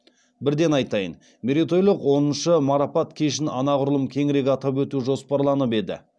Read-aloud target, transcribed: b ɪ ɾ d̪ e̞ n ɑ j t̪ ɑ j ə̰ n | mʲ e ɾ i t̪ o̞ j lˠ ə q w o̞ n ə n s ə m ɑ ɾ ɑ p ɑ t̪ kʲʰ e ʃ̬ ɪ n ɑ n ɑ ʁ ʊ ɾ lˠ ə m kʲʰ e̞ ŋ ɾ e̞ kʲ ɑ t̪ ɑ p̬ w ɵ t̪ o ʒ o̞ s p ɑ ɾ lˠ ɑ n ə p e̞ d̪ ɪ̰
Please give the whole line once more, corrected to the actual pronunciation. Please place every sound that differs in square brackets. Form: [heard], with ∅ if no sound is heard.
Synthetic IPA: b ɪ ɾ d̪ e̞ n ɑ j t̪ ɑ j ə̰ n | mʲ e ɾ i t̪ o̞ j lˠ ə q w o̞ n ə n [ʃ] ə m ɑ ɾ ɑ p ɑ t̪ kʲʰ e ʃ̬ ɪ n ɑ n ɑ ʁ ʊ ɾ lˠ ə m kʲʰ e̞ ŋ ɾ e̞ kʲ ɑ t̪ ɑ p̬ w ɵ t̪ [u] ʒ o̞ s p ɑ ɾ lˠ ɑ n ə p e̞ d̪ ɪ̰

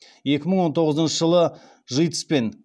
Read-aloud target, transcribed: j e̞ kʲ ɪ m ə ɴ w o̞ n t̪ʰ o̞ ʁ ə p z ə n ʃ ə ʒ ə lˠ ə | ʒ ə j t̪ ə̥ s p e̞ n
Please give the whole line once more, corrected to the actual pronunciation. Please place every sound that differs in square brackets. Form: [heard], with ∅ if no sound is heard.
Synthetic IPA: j e̞ kʲ ɪ m ə ɴ w o̞ n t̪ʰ o̞ ʁ ə [∅] z ə n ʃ ə ʒ ə lˠ ə | ʒ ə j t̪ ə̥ s p e̞ n

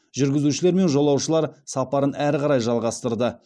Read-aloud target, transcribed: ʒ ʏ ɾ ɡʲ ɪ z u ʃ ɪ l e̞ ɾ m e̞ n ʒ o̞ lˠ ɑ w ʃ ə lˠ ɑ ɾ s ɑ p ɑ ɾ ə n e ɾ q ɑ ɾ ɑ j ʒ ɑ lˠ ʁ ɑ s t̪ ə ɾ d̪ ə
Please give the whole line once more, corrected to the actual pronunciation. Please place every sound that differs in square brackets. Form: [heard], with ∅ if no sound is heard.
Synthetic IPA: ʒ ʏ ɾ ɡʲ ɪ z u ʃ ɪ l e̞ ɾ m e̞ n ʒ o̞ lˠ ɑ w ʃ ə lˠ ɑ ɾ s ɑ p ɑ ɾ ə n [æ] ɾ q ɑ ɾ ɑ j ʒ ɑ lˠ ʁ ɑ s t̪ ə ɾ d̪ ə

